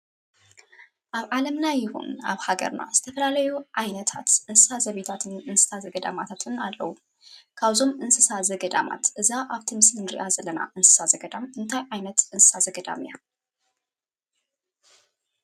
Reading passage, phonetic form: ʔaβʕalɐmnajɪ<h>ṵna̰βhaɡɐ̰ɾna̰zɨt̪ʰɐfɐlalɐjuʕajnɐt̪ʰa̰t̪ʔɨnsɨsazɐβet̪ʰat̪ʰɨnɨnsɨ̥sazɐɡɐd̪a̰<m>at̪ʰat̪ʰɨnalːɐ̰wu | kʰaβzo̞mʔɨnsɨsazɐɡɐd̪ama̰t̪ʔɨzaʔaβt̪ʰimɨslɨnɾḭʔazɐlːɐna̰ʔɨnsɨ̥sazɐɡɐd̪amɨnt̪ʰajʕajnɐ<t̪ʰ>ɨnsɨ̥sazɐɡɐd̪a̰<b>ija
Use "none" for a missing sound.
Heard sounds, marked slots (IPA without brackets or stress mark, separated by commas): h, m, t̪, m